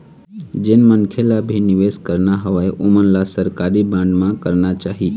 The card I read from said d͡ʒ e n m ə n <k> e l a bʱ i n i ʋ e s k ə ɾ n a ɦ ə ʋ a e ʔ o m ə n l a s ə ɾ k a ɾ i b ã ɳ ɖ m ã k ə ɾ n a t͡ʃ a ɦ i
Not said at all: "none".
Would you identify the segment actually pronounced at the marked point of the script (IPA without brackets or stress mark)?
kʰ